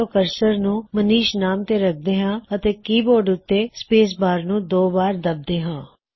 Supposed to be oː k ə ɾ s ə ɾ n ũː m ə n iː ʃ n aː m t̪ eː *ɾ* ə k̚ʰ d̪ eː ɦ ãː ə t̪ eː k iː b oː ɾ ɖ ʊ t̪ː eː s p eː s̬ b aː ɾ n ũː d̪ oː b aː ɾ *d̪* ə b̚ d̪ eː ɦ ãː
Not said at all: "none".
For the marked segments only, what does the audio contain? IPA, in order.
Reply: ɾ, d̪

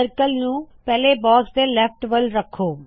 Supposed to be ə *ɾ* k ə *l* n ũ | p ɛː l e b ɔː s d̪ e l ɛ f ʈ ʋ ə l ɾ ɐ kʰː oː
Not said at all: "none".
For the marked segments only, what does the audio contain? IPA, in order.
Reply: ɾ, l

